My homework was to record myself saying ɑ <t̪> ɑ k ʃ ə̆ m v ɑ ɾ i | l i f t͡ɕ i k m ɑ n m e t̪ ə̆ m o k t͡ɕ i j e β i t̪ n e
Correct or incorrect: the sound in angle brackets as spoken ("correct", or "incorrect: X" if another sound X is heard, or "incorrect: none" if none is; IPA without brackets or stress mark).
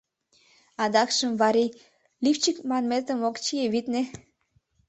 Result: incorrect: d̪